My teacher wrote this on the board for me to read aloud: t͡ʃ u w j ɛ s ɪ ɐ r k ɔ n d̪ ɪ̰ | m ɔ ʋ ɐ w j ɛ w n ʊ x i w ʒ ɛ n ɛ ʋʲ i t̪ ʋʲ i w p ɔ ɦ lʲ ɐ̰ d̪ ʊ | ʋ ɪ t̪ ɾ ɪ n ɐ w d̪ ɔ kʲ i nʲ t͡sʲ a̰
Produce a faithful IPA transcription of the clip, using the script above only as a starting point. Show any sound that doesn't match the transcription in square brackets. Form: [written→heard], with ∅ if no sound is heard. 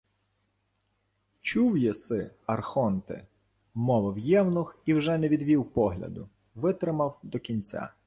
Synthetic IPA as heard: t͡ʃ u w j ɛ s ɪ ɐ r [k→x] ɔ n [d̪→t̪] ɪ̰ | m ɔ ʋ ɐ w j ɛ w n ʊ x i w ʒ ɛ n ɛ ʋʲ i [t̪→d̪] ʋʲ i w p ɔ ɦ lʲ ɐ̰ d̪ ʊ | ʋ ɪ t̪ ɾ ɪ [n→m] ɐ w d̪ ɔ kʲ i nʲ t͡sʲ a̰

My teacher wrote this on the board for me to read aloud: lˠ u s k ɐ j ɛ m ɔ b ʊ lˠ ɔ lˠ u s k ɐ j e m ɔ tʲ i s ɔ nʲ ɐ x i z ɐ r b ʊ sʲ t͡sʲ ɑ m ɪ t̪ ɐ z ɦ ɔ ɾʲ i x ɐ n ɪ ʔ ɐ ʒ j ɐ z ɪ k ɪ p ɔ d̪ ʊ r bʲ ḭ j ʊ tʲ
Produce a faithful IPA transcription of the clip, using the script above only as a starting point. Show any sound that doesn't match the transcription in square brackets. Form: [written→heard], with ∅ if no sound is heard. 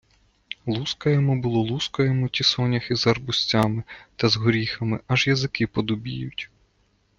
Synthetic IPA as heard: lˠ u s k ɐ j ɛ m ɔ b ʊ lˠ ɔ lˠ u s k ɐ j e m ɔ tʲ i s ɔ nʲ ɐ x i z ɐ r b ʊ sʲ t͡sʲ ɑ m ɪ t̪ ɐ z ɦ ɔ ɾʲ i x ɐ [n→m] ɪ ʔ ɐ ʒ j ɐ z ɪ k ɪ p ɔ d̪ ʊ [r→∅] bʲ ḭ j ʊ tʲ

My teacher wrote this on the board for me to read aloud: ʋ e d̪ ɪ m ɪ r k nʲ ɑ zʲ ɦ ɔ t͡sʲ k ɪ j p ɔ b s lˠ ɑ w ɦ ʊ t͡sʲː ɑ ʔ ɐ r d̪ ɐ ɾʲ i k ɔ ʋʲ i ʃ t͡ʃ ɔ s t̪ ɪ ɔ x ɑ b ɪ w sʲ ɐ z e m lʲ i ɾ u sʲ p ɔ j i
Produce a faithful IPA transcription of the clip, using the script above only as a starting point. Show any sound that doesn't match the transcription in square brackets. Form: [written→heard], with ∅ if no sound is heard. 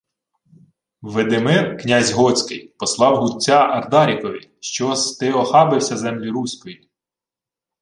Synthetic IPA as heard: ʋ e d̪ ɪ m ɪ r k nʲ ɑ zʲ ɦ ɔ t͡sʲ k ɪ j p ɔ [b→∅] s lˠ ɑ w ɦ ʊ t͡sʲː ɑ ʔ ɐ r d̪ [ɐ→ɑ] ɾʲ i k ɔ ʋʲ i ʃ t͡ʃ ɔ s t̪ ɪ ɔ x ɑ b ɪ w sʲ ɐ z [e→ɛ] m lʲ i ɾ u sʲ [p→k] ɔ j i

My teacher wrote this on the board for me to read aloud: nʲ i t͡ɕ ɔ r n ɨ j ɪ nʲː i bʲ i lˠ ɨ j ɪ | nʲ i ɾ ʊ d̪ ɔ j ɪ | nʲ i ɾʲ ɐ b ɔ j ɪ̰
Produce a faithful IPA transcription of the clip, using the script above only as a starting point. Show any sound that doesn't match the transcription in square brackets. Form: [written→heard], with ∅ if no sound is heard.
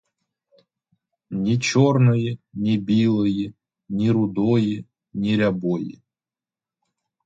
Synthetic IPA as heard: nʲ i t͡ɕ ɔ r n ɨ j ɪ [nʲː→nʲ] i bʲ i lˠ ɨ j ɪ | nʲ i ɾ ʊ d̪ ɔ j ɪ | nʲ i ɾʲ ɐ b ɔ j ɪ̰

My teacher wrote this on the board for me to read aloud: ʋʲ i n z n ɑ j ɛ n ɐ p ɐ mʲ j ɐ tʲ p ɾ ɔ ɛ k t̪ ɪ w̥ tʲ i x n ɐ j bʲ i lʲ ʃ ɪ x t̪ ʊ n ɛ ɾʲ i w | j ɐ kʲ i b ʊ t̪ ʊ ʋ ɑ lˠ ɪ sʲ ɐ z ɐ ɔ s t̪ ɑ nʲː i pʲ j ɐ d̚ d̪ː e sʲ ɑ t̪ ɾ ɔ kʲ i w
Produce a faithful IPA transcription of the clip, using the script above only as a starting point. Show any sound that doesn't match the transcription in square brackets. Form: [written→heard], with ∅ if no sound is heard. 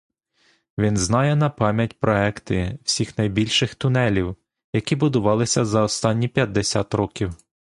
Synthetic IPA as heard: ʋʲ i n z n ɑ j ɛ n ɐ p [ɐ→ɑ] mʲ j ɐ tʲ p ɾ ɔ ɛ k t̪ ɪ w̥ [tʲ→sʲ] i x n ɐ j bʲ i lʲ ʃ ɪ x t̪ ʊ n ɛ [ɾʲ→lʲ] i w | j ɐ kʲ i b ʊ [t̪→d̪] ʊ ʋ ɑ lˠ ɪ sʲ ɐ z ɐ ɔ s t̪ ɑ nʲː i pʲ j ɐ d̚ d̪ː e sʲ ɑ t̪ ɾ ɔ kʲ i w

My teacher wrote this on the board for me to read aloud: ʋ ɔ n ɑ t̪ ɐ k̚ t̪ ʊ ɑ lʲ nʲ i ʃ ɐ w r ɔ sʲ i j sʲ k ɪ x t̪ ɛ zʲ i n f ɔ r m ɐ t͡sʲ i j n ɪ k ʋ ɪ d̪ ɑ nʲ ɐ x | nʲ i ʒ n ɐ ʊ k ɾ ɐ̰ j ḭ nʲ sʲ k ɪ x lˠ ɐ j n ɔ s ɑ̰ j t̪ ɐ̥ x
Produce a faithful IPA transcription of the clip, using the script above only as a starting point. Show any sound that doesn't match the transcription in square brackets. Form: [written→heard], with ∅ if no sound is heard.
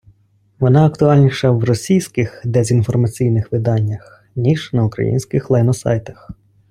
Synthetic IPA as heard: ʋ ɔ n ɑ [t̪→∅] ɐ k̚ t̪ ʊ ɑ lʲ nʲ i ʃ ɐ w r ɔ sʲ i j sʲ k ɪ x [t̪→d̪] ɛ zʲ i n f ɔ r m ɐ t͡sʲ i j n ɪ [k→x] ʋ ɪ d̪ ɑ [nʲ→nʲː] ɐ x | nʲ i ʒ n ɐ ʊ k ɾ ɐ̰ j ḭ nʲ sʲ k ɪ x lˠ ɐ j n ɔ s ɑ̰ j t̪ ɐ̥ x

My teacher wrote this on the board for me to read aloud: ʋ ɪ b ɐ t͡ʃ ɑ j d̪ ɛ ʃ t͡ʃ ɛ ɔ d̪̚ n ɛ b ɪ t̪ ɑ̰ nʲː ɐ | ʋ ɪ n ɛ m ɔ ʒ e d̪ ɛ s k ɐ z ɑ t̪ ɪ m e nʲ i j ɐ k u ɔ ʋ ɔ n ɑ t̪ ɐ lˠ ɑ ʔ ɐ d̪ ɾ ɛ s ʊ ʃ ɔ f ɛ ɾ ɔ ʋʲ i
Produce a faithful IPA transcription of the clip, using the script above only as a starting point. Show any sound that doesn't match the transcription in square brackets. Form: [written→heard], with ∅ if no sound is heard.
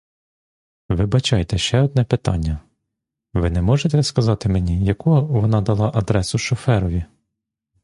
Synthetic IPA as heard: ʋ ɪ b ɐ t͡ʃ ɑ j [d̪→t̪] ɛ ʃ t͡ʃ ɛ ɔ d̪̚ n ɛ [b→p] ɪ t̪ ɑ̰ nʲː ɐ | ʋ ɪ n ɛ m ɔ ʒ e [d̪→t̪] ɛ s k ɐ z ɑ t̪ ɪ m e nʲ i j ɐ k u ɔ ʋ ɔ n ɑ [t̪→d̪] ɐ lˠ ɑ ʔ ɐ d̪ ɾ ɛ s ʊ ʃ ɔ f ɛ ɾ ɔ ʋʲ i

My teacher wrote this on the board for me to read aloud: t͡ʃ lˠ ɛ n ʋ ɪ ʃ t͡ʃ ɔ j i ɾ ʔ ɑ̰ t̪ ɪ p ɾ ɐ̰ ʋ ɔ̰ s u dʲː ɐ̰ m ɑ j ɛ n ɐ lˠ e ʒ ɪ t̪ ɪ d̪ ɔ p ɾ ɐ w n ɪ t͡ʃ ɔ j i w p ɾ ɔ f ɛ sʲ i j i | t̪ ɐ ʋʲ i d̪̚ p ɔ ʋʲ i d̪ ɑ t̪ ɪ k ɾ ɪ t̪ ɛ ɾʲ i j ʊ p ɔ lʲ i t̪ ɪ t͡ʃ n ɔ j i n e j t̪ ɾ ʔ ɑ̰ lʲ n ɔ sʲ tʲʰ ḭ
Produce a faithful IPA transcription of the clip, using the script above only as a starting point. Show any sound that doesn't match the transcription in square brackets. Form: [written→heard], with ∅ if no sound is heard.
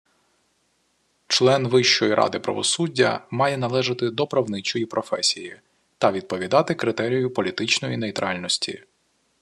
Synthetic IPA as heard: t͡ʃ lˠ ɛ n ʋ ɪ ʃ t͡ʃ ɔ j i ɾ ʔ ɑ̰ [t̪→d̪] ɪ p ɾ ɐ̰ ʋ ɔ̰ s u dʲː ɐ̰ m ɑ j ɛ n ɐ lˠ [e→ɛ] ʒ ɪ t̪ ɪ d̪ ɔ p ɾ ɐ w n ɪ t͡ʃ ɔ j i [w→∅] p ɾ ɔ f ɛ sʲ i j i | t̪ ɐ ʋʲ i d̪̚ p ɔ ʋʲ i d̪ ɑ t̪ ɪ k ɾ ɪ t̪ ɛ ɾʲ i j ʊ p ɔ lʲ i t̪ ɪ t͡ʃ n ɔ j i n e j t̪ ɾ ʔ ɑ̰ lʲ n ɔ sʲ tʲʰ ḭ

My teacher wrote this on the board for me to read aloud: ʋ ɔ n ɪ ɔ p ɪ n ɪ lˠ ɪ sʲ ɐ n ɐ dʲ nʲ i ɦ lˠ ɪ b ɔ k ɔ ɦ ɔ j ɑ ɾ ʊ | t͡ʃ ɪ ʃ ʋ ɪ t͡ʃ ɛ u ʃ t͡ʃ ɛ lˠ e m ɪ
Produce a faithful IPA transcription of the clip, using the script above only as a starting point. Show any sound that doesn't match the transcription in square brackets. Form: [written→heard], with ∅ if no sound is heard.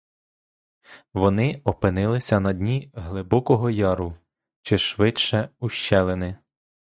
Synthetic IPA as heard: ʋ ɔ n ɪ ɔ p ɪ n ɪ lˠ ɪ sʲ ɐ n ɐ dʲ nʲ i ɦ lˠ ɪ b ɔ k ɔ ɦ ɔ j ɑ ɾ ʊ | t͡ʃ ɪ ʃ ʋ ɪ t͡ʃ ɛ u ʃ t͡ʃ ɛ lˠ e [m→n] ɪ

